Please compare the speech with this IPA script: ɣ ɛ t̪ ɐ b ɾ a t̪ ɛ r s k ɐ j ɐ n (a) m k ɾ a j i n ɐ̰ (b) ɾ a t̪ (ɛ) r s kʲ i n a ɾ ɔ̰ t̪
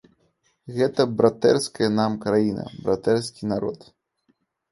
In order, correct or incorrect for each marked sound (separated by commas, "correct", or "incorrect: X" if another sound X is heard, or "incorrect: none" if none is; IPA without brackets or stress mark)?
correct, correct, correct